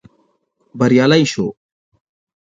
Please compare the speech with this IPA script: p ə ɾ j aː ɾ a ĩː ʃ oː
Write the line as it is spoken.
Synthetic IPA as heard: b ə ɾ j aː l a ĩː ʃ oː